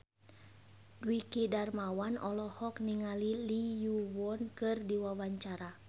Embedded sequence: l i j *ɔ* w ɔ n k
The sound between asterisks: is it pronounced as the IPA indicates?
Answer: no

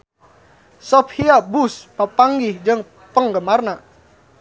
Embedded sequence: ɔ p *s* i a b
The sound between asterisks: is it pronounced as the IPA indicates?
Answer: no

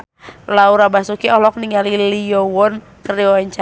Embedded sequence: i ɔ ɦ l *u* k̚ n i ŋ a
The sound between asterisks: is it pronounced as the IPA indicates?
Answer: no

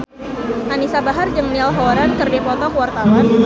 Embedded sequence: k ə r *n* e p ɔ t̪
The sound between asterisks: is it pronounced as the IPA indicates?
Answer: no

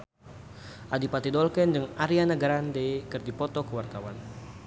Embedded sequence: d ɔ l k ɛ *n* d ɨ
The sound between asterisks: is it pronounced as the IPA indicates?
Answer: yes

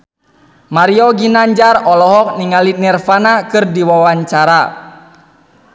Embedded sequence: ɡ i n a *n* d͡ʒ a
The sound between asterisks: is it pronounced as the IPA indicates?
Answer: no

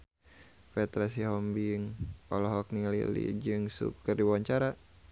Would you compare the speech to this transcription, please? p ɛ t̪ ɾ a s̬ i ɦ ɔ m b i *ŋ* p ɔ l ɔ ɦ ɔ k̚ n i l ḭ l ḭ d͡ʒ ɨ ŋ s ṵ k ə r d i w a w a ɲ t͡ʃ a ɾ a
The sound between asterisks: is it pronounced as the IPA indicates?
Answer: yes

